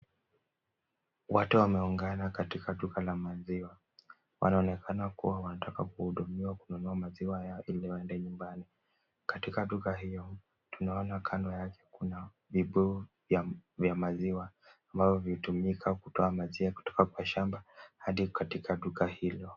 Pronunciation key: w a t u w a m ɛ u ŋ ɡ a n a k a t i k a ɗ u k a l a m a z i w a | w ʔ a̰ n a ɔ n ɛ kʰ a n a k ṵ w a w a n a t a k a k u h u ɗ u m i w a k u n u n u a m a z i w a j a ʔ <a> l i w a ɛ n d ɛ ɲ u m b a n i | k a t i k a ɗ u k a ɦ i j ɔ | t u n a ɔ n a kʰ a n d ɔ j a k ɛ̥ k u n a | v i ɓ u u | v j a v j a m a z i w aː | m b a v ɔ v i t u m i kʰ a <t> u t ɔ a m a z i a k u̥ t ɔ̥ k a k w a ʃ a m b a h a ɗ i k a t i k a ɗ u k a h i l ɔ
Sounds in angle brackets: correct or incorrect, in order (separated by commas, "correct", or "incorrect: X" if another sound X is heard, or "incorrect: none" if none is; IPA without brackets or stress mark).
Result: incorrect: i, incorrect: k